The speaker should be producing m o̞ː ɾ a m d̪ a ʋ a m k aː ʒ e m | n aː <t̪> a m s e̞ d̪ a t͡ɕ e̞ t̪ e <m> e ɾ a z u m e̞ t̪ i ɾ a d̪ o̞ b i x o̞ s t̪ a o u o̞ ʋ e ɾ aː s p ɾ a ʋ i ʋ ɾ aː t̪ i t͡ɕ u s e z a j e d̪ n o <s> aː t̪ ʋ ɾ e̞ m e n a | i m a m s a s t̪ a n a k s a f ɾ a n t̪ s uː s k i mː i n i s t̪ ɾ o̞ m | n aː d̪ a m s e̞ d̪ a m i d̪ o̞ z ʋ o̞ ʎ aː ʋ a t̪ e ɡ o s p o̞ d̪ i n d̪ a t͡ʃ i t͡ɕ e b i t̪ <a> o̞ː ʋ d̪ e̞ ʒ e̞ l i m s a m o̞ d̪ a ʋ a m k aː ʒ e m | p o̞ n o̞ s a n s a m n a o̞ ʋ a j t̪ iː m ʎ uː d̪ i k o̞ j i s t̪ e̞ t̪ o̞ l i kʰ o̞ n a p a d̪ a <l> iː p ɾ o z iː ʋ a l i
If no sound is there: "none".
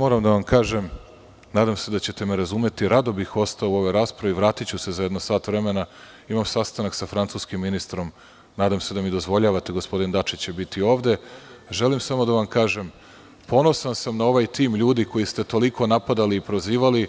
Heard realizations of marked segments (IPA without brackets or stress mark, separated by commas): d̪, m, s, i, l